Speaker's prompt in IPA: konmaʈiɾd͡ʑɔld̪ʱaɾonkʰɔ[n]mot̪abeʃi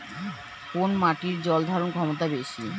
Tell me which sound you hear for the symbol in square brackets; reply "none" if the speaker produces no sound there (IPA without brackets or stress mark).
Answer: none